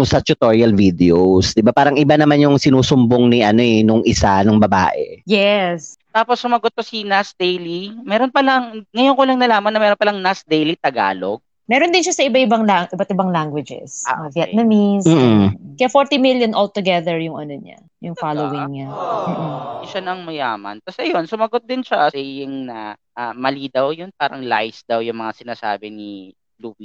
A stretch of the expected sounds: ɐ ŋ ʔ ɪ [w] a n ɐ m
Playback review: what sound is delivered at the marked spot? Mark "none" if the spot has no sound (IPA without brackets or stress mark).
b